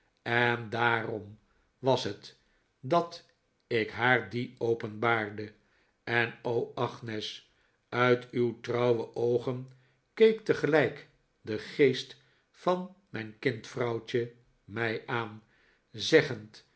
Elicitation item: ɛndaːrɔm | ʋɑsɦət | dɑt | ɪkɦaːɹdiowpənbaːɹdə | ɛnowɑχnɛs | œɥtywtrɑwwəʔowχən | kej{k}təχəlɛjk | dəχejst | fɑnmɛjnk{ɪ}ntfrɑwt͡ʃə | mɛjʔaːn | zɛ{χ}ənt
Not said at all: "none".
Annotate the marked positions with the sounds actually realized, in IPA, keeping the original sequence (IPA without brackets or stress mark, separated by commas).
k, ɪ, χ